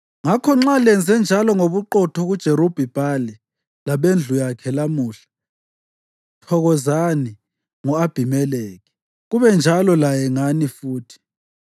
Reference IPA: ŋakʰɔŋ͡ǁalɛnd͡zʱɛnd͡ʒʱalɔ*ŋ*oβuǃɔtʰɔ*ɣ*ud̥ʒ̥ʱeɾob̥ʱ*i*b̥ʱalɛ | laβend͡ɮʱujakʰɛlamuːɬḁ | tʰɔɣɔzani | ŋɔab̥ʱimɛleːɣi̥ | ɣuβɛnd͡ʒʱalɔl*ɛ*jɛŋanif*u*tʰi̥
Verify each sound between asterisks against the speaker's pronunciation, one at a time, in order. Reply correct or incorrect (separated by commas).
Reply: correct, correct, correct, incorrect, incorrect